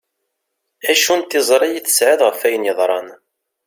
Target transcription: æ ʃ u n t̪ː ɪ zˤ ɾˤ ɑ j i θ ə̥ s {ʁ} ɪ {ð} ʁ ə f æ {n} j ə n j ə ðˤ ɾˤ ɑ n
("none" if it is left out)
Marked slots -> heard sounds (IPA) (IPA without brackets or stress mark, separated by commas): ʕ, ð, none